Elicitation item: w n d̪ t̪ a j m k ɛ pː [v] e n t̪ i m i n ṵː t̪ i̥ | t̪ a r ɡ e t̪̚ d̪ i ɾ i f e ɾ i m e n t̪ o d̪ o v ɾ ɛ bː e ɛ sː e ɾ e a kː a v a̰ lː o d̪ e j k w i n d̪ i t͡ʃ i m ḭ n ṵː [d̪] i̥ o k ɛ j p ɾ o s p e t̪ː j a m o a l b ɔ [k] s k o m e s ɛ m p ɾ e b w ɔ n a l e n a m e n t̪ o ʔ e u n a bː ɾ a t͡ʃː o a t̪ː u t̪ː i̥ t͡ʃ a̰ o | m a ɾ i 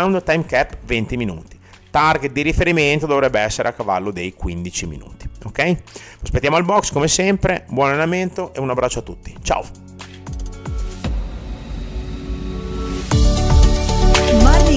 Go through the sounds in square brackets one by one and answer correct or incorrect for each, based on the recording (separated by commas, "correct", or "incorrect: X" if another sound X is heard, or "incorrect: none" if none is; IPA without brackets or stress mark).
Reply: correct, incorrect: t̪, correct